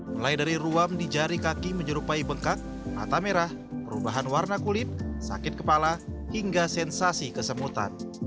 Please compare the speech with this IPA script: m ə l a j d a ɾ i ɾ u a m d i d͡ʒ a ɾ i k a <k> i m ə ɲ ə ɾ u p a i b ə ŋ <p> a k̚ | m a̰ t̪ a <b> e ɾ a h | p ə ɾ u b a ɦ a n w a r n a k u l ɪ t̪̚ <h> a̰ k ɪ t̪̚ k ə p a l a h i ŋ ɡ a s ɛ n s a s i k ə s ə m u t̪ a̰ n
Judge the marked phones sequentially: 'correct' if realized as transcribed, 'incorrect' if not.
correct, incorrect, incorrect, incorrect

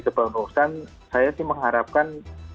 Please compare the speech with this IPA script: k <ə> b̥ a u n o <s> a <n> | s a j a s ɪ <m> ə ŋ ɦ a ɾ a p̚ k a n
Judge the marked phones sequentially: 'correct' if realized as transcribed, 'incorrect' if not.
correct, correct, correct, correct

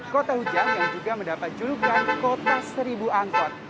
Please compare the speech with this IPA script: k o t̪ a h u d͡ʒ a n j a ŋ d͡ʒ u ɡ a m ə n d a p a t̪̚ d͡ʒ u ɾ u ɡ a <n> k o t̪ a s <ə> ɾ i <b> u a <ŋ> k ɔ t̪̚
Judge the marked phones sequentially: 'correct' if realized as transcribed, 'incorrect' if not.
correct, correct, correct, correct

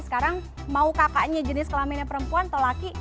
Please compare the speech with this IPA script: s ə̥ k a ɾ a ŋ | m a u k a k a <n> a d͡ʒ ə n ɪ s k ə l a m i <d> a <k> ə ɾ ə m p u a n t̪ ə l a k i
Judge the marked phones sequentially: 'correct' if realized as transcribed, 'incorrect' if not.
incorrect, incorrect, incorrect

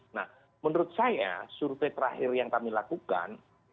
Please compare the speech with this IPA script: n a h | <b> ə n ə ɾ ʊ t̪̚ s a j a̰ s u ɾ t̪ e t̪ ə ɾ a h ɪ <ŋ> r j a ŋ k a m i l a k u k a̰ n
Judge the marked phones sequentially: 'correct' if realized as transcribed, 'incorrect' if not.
incorrect, incorrect

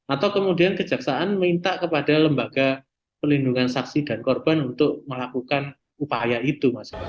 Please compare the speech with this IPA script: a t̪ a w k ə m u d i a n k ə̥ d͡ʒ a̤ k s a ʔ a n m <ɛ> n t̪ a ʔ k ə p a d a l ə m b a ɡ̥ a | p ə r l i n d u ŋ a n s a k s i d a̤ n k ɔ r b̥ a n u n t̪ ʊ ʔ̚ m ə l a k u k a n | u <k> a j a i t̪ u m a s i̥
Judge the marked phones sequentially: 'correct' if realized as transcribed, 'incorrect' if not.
incorrect, incorrect

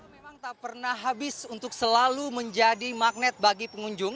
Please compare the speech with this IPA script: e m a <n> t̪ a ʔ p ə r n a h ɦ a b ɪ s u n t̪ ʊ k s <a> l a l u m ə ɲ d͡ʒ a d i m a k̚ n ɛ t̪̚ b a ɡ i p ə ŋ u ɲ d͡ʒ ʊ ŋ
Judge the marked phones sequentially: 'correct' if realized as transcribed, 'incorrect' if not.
incorrect, incorrect

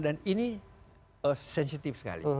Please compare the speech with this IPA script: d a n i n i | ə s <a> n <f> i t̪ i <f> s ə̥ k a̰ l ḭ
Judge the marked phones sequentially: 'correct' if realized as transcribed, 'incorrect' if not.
incorrect, incorrect, correct

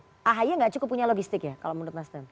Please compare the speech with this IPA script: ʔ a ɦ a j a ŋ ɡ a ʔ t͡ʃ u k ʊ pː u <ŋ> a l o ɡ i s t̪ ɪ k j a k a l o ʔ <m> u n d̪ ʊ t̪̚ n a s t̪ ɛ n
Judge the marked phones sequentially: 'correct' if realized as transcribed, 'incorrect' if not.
incorrect, correct

